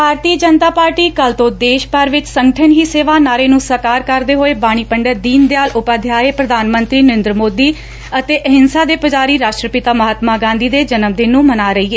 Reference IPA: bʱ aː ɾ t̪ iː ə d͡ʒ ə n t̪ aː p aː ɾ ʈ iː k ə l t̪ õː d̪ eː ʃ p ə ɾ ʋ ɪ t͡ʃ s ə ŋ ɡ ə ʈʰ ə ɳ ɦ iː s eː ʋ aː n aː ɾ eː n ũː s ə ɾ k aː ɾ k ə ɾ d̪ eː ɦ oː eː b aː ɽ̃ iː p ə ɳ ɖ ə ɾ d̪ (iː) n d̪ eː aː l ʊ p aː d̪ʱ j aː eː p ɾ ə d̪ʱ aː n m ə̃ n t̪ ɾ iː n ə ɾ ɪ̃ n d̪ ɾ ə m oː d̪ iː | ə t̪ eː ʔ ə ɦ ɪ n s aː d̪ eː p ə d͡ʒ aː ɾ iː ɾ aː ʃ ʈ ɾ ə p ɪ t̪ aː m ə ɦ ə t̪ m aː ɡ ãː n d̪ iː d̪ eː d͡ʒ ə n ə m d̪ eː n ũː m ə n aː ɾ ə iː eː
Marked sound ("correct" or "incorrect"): correct